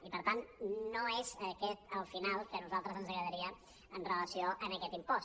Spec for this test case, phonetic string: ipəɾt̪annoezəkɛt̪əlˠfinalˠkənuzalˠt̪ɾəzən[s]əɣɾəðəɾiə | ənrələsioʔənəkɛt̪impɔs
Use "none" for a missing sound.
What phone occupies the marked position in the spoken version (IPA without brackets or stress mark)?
z